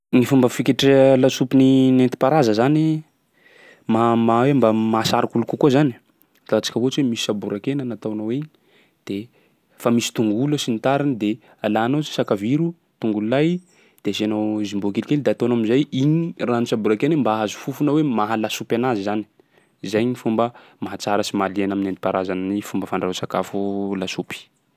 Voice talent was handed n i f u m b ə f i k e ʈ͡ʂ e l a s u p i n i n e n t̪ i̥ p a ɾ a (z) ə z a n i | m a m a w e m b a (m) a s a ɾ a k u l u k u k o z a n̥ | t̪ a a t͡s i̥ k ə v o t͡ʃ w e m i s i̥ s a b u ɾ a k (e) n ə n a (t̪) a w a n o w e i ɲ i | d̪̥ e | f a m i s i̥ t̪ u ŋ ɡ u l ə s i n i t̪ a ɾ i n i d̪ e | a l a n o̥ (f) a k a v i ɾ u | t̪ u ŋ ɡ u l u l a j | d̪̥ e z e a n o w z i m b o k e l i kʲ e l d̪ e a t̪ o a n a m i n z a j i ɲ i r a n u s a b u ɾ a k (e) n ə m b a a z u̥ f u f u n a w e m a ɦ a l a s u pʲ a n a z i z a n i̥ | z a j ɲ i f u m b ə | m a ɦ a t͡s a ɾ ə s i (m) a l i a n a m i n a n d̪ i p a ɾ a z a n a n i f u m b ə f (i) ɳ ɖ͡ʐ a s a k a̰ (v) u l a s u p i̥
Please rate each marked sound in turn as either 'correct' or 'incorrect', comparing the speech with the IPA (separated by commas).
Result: correct, correct, correct, correct, incorrect, correct, correct, incorrect, incorrect